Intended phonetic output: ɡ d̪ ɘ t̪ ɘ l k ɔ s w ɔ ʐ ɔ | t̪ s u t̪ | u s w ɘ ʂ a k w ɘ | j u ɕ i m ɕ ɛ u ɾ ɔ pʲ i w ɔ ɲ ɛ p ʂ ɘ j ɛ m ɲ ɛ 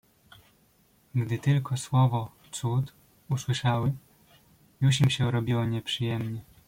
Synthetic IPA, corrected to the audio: ɡ d̪ ɘ t̪ ɘ l k ɔ s w ɔ v ɔ | t̪ s u t̪ | u s w ɘ ʂ a w ɘ | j u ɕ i m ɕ ɛ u ɾ ɔ bʲ i w ɔ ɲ ɛ p ʂ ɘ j ɛ m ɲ ɛ

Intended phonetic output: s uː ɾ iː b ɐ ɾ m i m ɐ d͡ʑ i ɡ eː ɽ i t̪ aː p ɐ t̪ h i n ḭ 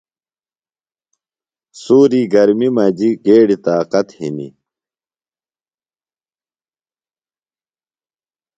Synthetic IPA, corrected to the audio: s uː ɾ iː ɡ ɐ ɾ m i m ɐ d͡ʑ i ɡ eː ɽ i t̪ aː q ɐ t̪ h i n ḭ

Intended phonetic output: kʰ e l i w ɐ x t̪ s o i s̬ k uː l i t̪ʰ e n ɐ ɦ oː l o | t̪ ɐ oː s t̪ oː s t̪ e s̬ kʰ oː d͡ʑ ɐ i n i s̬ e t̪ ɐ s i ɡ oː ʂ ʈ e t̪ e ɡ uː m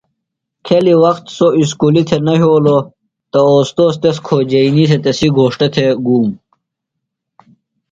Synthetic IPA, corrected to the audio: kʰ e l i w ɐ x t̪ s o i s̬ k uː l i t̪ʰ e n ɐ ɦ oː l o | t̪ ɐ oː s t̪ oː s t̪ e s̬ kʰ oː d͡ʑ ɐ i n i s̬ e t̪ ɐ s i ɡ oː ʂ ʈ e t̪ʰ e ɡ uː m

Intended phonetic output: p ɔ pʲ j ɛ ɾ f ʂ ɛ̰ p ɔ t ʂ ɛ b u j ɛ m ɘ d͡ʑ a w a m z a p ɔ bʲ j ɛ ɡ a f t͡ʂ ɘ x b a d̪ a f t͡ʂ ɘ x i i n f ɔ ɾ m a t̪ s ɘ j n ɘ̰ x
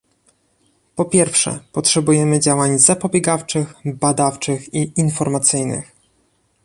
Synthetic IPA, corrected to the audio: p ɔ pʲ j ɛ ɾ f ʂ ɛ̰ p ɔ t ʂ ɛ b u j ɛ m ɘ d͡ʑ a w a ɲ z a p ɔ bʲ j ɛ ɡ a f t͡ʂ ɘ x b a d̪ a f t͡ʂ ɘ x i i n f ɔ ɾ m a t̪ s ɘ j n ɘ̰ x

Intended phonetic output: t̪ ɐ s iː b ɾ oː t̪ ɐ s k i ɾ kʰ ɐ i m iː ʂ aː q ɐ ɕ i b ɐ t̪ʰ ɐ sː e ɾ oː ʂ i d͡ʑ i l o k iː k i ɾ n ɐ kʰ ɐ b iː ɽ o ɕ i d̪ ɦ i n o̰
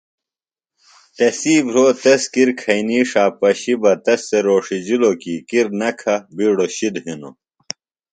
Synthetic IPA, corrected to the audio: t̪ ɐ s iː b ɾ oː t̪ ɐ s k i ɾ kʰ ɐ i n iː ʂ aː p ɐ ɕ i b ɐ t̪ ɐ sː e ɾ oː ʂ i d͡ʑ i l o k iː k i ɾ n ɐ kʰ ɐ b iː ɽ o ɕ i d̪ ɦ i n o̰

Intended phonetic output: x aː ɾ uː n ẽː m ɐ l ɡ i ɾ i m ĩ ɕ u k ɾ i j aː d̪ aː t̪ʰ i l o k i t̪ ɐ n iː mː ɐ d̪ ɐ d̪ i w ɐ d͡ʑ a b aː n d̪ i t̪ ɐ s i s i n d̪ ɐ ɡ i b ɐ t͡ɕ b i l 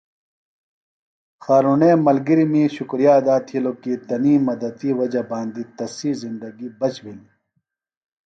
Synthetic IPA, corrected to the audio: x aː ɾ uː n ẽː m ɐ l ɡ i ɾ i m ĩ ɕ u k ɾ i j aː d̪ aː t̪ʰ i l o k i t̪ ɐ n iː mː ɐ d̪ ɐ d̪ i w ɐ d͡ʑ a b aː n d̪ i t̪ ɐ s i z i n d̪ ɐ ɡ i b ɐ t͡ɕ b i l

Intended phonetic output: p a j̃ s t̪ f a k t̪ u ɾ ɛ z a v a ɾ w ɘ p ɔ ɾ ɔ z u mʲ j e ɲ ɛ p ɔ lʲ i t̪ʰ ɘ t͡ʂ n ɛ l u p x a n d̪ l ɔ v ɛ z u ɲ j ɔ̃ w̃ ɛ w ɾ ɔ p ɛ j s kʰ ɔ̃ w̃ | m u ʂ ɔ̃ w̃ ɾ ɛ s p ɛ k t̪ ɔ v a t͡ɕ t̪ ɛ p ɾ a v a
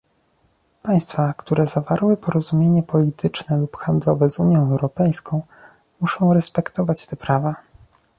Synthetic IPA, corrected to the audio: p a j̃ s t̪ f a k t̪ u ɾ ɛ z a v a ɾ w ɘ p ɔ ɾ ɔ z u mʲ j e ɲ ɛ p ɔ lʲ i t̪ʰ ɘ t͡ʂ n ɛ l u p x a n d̪ l ɔ v ɛ z u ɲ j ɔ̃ w̃ ɛ w ɾ ɔ p ɛ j s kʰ ɔ̃ w̃ | m u ʂ ɔ̃ w̃ ɾ ɛ s p ɛ k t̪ ɔ v a t͡ɕ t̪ ɛ p ɾ a v a

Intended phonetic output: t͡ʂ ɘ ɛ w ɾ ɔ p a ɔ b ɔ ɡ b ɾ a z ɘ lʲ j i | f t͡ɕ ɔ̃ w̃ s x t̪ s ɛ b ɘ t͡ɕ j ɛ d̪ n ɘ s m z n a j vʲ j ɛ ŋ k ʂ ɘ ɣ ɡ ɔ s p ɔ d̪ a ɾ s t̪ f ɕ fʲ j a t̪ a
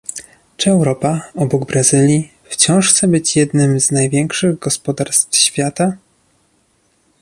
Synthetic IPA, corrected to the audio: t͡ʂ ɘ ɛ w ɾ ɔ p a ɔ b ɔ ɡ b ɾ a z ɘ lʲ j i | f t͡ɕ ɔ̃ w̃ ʂ x t̪ s ɛ b ɘ t͡ɕ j ɛ d̪ n ɘ m z n a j vʲ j ɛ ŋ k ʂ ɘ ɣ ɡ ɔ s p ɔ d̪ a ɾ s t̪ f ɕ fʲ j a t̪ a

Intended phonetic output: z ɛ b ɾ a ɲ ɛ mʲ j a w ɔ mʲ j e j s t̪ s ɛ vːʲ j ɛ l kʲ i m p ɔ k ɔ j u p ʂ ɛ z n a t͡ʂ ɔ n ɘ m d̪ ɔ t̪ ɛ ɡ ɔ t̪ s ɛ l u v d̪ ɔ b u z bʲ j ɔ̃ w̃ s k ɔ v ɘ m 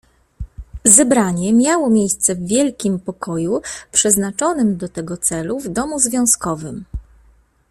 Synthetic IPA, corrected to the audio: z ɛ b ɾ a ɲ ɛ mʲ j a w ɔ mʲ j e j s t̪ s ɛ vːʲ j ɛ l kʲ i m p ɔ k ɔ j u p ʂ ɛ z n a t͡ʂ ɔ n ɘ m d̪ ɔ t̪ ɛ ɡ ɔ t̪ s ɛ l u v d̪ ɔ m u z vʲ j ɔ̃ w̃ s k ɔ v ɘ m

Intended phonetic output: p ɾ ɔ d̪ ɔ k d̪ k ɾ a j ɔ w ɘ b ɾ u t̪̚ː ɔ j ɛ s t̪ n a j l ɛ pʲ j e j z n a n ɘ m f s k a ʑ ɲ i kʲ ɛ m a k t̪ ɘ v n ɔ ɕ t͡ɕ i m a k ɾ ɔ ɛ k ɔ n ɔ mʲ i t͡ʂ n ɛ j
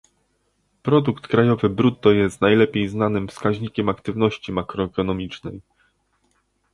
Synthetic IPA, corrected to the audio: p ɾ ɔ d̪ u k t̪ k ɾ a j ɔ v ɘ b ɾ u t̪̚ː ɔ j ɛ s t̪ n a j l ɛ pʲ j e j z n a n ɘ m f s k a ʑ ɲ i kʲ ɛ m a k t̪ ɘ v n ɔ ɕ t͡ɕ i m a k ɾ ɔ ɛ k ɔ n ɔ mʲ i t͡ʂ n ɛ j

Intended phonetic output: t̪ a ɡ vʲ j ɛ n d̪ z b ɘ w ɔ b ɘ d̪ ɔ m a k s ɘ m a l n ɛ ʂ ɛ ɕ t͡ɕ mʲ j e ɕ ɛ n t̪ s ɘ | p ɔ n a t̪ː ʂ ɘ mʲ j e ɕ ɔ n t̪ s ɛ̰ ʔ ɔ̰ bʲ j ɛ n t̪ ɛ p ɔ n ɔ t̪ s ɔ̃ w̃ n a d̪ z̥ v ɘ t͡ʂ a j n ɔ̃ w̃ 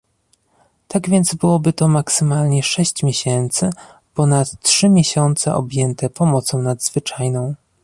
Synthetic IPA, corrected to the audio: t̪ a ɡ vʲ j ɛ n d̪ z b ɘ w ɔ b ɘ t̪ ɔ m a k s ɘ m a l ɲ ɛ ʂ ɛ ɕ t͡ɕ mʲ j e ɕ ɛ n t̪ s ɘ | p ɔ n a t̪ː ʂ ɘ mʲ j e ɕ ɔ n t̪ s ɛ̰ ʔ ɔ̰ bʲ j ɛ n t̪ ɛ p ɔ m ɔ t̪ s ɔ̃ w̃ n a d̪ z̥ v ɘ t͡ʂ a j n ɔ̃ w̃

